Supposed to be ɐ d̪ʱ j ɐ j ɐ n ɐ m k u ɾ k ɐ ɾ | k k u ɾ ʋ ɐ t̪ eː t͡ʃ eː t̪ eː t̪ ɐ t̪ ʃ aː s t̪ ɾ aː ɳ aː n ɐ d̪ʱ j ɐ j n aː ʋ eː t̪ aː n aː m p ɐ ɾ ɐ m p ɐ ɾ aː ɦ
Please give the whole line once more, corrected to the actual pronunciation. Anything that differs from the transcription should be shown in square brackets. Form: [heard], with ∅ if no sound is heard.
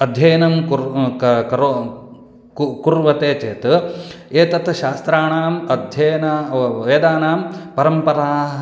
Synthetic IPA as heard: ɐ d̪ʱ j ɐ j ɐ n ɐ m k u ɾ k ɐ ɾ | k k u ɾ ʋ ɐ t̪ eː t͡ʃ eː t̪ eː t̪ ɐ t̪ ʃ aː s t̪ ɾ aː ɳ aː [m] ɐ d̪ʱ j ɐ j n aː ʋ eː [d̪] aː n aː m p ɐ ɾ ɐ m p ɐ ɾ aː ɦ